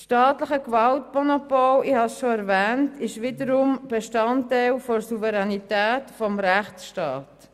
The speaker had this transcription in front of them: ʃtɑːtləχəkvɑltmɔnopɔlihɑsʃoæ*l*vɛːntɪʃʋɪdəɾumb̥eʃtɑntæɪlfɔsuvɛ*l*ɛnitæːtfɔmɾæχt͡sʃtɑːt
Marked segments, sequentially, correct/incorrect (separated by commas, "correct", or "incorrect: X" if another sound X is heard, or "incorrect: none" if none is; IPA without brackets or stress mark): incorrect: ɾ, incorrect: ɾ